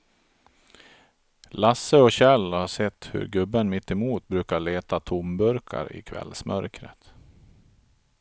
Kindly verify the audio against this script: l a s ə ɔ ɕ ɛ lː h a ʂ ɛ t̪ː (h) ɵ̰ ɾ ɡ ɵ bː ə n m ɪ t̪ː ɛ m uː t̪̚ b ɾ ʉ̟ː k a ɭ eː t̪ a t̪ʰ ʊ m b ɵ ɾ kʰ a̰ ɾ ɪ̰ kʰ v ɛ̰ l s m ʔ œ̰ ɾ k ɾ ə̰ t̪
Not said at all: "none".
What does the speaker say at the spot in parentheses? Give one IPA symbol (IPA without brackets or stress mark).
h